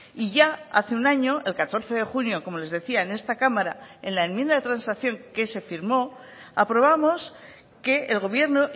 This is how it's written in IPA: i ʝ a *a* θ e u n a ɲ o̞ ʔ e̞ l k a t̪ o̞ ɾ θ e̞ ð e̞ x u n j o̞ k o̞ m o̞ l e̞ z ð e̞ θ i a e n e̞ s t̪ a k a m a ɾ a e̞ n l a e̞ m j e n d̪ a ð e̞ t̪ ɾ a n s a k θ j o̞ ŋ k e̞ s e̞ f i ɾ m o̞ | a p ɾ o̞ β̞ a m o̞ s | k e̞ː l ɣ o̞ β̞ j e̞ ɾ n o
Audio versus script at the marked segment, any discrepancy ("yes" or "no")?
no